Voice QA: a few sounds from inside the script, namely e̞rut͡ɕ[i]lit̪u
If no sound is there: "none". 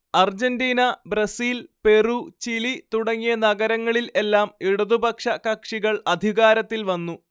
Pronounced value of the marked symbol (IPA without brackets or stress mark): i